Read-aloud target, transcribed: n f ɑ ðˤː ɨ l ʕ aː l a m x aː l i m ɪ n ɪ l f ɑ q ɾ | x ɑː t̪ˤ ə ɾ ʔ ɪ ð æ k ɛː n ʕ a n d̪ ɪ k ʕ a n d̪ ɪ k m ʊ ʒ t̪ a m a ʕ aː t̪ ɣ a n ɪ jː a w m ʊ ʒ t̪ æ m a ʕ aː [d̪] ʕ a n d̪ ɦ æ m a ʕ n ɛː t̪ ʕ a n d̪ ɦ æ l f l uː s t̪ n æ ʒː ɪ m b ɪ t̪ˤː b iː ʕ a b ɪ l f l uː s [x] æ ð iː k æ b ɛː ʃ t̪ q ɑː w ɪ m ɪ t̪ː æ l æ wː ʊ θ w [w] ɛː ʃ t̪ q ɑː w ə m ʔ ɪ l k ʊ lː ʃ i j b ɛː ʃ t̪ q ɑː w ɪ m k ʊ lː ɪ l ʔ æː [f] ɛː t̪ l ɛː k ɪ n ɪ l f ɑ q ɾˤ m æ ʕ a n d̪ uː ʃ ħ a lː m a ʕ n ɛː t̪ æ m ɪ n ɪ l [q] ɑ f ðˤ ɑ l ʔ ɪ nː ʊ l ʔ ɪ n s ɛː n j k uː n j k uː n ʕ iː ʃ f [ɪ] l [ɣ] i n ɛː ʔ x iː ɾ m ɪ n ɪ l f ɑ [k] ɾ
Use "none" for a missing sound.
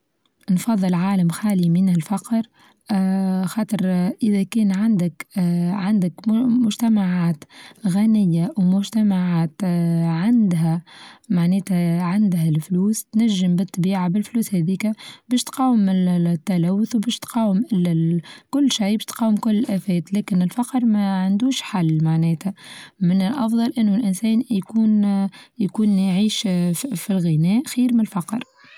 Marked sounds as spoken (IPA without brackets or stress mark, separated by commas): t̪, h, b, f, ʔ, i, ɣ, q